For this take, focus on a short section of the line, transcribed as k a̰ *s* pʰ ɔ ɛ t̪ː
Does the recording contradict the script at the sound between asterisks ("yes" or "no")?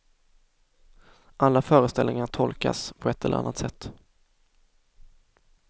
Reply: no